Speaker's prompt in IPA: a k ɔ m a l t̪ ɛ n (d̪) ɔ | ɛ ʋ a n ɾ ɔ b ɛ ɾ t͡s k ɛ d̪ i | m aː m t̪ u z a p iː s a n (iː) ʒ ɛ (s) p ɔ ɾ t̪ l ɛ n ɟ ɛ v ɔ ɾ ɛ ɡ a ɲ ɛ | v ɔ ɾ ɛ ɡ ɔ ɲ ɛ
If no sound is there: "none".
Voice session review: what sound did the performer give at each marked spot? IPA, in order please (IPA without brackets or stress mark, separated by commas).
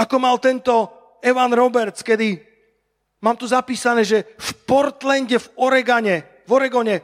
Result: t̪, ɛː, f